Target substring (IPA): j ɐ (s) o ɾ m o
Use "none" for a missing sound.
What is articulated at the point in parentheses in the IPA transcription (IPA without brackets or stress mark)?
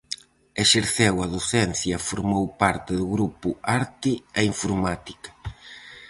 f